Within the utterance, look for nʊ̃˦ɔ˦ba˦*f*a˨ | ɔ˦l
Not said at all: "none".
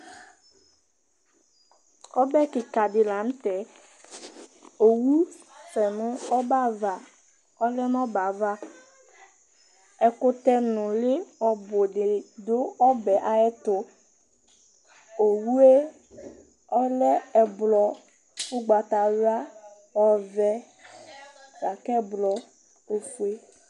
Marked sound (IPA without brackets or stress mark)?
v